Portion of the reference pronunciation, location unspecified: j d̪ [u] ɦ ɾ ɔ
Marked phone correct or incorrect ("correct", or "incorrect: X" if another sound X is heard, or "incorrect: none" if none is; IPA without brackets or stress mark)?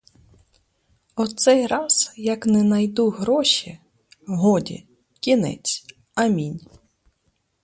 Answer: correct